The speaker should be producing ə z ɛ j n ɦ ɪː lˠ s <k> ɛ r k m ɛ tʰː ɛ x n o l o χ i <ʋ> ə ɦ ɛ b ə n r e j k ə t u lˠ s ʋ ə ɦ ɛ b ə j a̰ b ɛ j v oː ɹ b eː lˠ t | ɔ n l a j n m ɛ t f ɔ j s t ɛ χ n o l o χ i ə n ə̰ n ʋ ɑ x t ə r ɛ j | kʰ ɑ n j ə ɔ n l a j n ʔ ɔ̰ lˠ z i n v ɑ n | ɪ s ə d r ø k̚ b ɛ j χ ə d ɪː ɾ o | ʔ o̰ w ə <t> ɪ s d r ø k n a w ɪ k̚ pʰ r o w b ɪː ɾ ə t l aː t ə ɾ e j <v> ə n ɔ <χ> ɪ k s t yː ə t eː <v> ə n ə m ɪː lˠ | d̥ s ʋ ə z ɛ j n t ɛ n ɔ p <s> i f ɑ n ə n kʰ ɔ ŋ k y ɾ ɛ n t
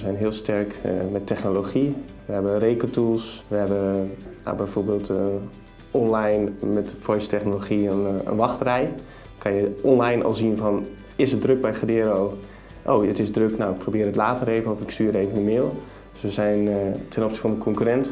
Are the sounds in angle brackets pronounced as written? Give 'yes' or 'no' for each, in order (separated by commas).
no, yes, yes, yes, no, yes, yes